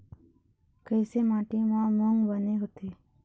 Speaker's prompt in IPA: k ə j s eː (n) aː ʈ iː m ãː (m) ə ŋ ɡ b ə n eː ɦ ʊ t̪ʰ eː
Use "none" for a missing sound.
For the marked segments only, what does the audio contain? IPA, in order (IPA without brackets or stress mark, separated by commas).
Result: m, m